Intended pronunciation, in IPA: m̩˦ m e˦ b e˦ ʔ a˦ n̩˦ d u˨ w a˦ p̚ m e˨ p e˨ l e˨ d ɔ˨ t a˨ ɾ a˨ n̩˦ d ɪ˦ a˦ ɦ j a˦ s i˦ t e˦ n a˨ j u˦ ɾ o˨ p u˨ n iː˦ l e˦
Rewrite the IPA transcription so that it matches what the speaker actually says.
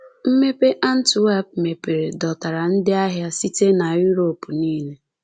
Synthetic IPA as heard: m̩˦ m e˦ p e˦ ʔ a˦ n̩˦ t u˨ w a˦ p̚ m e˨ p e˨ ɾ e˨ d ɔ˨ t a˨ ɾ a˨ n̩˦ d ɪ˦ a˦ ɦ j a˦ s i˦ t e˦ n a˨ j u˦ ɾ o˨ p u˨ n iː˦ l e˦